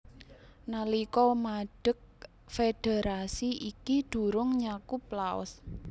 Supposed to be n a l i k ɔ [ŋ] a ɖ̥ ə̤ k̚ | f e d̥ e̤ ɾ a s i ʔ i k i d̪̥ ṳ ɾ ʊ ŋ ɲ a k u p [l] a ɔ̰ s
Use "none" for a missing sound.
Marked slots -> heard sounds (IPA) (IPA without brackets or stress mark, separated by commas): m, l